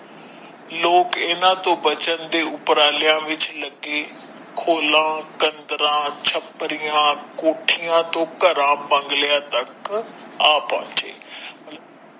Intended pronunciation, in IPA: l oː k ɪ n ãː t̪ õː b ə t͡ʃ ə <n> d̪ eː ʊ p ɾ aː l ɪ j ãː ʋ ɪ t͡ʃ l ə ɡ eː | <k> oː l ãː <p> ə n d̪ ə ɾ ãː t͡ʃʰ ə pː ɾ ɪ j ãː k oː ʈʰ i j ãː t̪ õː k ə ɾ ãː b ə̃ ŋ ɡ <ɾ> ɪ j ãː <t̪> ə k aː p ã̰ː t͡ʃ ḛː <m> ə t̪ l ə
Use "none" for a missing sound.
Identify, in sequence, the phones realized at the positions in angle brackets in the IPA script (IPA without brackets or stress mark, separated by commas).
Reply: n, kʰ, k, l, t̪, m